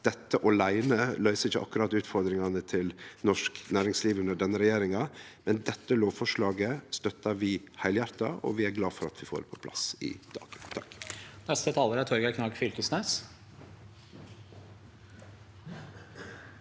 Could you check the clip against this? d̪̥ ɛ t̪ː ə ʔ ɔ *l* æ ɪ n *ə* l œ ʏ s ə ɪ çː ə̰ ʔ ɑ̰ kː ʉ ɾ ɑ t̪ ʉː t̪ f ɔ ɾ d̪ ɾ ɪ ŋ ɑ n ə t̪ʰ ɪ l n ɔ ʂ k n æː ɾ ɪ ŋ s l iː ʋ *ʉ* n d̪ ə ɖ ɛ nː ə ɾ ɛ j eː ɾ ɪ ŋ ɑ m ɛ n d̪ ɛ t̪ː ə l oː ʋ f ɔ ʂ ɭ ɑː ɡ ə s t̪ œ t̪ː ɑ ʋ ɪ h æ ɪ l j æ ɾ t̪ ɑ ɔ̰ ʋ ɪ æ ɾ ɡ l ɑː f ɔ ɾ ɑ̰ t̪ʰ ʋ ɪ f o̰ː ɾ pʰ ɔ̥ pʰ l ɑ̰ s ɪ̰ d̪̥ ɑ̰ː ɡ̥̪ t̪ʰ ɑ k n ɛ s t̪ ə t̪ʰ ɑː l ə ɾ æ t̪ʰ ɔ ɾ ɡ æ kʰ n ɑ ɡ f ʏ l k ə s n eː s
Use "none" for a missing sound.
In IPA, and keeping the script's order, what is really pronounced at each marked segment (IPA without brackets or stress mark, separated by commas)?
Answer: l, ə, ʉ